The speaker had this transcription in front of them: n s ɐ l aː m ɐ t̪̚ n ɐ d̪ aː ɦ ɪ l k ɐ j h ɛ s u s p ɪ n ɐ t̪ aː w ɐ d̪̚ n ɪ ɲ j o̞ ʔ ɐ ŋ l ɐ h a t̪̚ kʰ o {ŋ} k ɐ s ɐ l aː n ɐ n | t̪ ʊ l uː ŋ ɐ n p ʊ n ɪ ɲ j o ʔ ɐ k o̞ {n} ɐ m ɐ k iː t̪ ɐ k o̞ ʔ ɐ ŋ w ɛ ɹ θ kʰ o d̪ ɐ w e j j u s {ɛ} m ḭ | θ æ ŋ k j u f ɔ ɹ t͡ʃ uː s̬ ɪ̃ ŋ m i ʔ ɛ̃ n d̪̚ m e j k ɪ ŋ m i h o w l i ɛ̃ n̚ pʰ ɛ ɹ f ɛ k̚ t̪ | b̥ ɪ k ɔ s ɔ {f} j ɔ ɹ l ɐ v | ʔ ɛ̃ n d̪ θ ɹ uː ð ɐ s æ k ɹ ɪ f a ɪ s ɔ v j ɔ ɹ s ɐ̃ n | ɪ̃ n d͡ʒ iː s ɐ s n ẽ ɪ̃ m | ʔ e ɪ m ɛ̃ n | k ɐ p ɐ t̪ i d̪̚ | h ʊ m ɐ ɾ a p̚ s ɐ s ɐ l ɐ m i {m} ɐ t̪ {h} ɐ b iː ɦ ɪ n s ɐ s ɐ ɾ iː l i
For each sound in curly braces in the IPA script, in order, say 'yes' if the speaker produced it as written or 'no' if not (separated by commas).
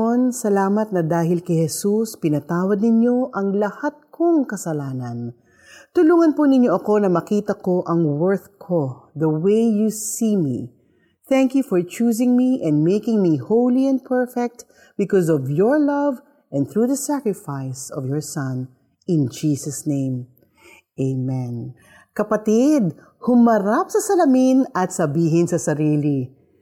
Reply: yes, yes, no, no, no, no